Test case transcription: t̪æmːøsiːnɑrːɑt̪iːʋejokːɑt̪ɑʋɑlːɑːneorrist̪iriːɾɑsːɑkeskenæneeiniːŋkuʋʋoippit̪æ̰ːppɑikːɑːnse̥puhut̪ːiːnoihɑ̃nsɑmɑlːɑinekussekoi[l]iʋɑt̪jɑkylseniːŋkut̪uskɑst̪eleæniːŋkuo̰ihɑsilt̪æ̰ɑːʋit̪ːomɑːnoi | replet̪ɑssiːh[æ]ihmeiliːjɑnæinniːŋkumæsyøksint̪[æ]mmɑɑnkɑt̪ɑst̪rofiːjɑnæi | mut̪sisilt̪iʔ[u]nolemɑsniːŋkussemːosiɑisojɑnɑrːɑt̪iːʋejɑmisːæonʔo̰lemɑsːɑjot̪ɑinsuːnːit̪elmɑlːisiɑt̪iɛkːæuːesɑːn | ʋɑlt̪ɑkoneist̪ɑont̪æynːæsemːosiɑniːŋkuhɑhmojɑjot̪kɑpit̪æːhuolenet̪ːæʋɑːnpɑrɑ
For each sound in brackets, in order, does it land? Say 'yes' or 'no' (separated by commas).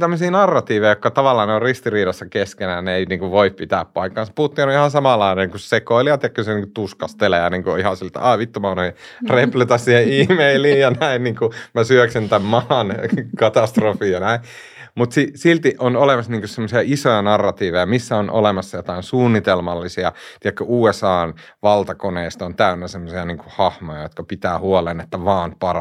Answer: yes, no, yes, no